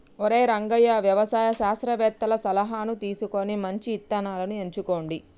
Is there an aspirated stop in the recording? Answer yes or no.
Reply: no